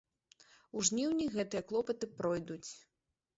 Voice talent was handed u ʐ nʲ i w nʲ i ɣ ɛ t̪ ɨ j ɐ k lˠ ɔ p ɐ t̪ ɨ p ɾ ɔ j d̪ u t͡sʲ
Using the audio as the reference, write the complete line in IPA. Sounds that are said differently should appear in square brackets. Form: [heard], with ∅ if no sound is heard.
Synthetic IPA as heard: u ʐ nʲ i w nʲ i ɣ ɛ t̪ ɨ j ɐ k lˠ ɔ p ɐ t̪ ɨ p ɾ ɔ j d̪ u t͡sʲ